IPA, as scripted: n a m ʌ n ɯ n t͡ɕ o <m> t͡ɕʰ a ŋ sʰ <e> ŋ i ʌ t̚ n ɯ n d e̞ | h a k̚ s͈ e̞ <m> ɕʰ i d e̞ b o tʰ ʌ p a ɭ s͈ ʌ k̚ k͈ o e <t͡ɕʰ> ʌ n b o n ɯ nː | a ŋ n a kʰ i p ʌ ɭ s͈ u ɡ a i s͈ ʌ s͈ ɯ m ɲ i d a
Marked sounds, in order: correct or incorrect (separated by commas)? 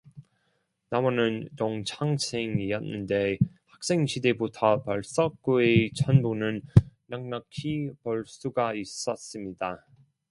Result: incorrect, correct, incorrect, correct